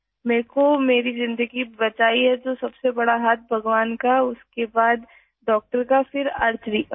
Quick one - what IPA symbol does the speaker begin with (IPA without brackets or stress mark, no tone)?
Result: m